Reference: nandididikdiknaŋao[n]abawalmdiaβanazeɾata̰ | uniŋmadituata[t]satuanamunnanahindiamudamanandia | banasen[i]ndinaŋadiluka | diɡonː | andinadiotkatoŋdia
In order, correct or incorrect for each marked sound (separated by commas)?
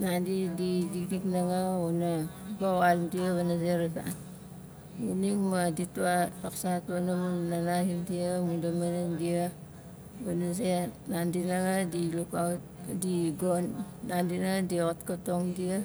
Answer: correct, incorrect, incorrect